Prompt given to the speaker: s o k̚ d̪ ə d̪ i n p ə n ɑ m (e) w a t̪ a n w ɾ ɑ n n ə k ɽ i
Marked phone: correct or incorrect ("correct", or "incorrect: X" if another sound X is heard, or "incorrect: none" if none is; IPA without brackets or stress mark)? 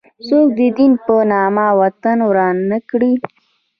incorrect: a